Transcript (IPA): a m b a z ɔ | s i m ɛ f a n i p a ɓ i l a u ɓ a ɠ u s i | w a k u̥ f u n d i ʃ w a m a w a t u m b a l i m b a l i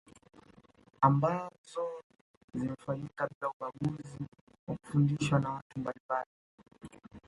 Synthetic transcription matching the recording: a m b a z ɔ | z i m ɛ f a ɲ i k a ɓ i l a u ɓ a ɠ u z i | w a k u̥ f u n d i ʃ w a n a w a t u m b a l i m b a l i

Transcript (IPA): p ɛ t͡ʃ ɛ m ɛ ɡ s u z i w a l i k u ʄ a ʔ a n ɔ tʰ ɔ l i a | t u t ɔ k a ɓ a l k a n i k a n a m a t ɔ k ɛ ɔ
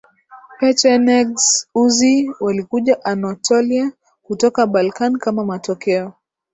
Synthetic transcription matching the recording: p ɛ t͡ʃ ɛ n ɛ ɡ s u z i w a l i k u ʄ a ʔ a n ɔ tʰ ɔ l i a | k u t ɔ k a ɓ a l k a n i k a m a m a t ɔ k ɛ ɔ

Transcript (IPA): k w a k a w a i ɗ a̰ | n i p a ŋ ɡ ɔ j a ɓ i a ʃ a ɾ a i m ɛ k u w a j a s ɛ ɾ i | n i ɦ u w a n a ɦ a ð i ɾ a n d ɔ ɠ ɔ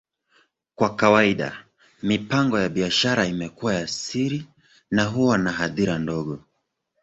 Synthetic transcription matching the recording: k w a k a w a i ɗ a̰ | m i p a ŋ ɡ ɔ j a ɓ i a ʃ a ɾ a i m ɛ k u w a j a s i ɾ i | n a ɦ u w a n a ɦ a ð i ɾ a n d ɔ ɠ ɔ

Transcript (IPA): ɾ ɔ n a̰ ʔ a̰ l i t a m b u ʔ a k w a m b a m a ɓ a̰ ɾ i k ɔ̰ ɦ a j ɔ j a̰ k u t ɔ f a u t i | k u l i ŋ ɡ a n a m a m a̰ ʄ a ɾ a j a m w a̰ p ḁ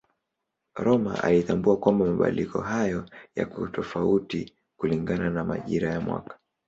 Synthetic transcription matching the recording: ɾ ɔ m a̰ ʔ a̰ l i t a m b u a k w a m b a m a ɓ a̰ l i k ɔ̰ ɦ a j ɔ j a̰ k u t ɔ f a u t i | k u l i ŋ ɡ a n a n a m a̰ ʄ i ɾ a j a m w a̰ k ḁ

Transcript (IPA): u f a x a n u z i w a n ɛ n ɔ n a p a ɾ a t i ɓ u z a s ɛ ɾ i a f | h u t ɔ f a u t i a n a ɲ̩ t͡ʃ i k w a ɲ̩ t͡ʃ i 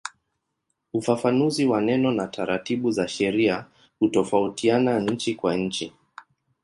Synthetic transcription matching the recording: u f a f a n u z i w a n ɛ n ɔ n a t a ɾ a t i ɓ u z a ʃ ɛ ɾ i a | h u t ɔ f a u t i a n a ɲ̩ t͡ʃ i k w a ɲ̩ t͡ʃ i

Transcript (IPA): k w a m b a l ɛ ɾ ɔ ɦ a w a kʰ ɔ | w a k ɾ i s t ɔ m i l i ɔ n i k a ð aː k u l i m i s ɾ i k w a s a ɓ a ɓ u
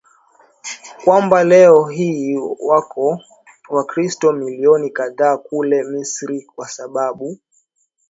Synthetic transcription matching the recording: k w a m b a l ɛ ɔ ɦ i w a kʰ ɔ | w a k ɾ i s t ɔ m i l i ɔ n i k a ð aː k u l ɛ m i s ɾ i k w a s a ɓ a ɓ u

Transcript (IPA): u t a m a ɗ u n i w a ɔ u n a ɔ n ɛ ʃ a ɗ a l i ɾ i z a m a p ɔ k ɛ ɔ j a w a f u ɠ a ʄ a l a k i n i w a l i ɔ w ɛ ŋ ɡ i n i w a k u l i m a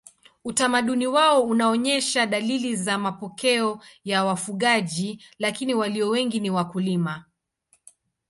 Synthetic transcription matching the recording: u t a m a ɗ u n i w a ɔ u n a ɔ ɲ ɛ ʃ a ɗ a l i l i z a m a p ɔ k ɛ ɔ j a w a f u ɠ a ʄ i l a k i n i w a l i ɔ w ɛ ŋ ɡ i n i w a k u l i m a

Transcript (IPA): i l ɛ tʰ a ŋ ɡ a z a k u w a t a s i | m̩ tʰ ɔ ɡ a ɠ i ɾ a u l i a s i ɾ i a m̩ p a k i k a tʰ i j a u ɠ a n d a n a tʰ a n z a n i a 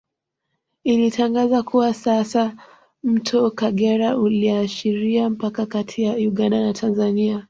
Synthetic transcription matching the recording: i l i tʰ a ŋ ɡ a z a k u w a s a s a | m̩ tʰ ɔ k a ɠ ɛ ɾ a u l i a ʃ i ɾ i a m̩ p a k a k a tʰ i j a u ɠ a n d a n a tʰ a n z a n i a

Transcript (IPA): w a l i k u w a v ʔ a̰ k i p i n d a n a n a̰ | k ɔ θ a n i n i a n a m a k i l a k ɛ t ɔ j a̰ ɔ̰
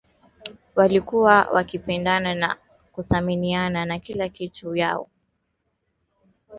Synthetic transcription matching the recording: w a l i k u w a w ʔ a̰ k i p ɛ n d a n a n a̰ | k u θ a m i n i a n a n a k i l a k i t u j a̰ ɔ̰

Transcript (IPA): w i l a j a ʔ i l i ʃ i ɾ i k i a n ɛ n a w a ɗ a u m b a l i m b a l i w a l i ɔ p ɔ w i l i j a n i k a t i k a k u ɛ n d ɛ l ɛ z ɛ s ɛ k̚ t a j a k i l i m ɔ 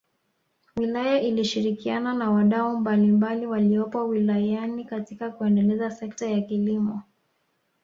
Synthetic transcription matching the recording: w i l a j a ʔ i l i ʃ i ɾ i k i a n a n a w a ɗ a u m b a l i m b a l i w a l i ɔ p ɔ w i l a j a n i k a t i k a k u ɛ n d ɛ l ɛ z a s ɛ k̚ t a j a k i l i m ɔ

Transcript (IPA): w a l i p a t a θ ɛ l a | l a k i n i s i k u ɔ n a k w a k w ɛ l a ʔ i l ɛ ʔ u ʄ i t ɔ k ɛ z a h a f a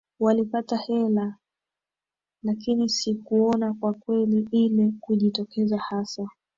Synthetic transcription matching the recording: w a l i p a t a h ɛ l a | l a k i n i s i k u ɔ n a k w a k w ɛ l i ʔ i l ɛ k u ʄ i t ɔ k ɛ z a h a s a

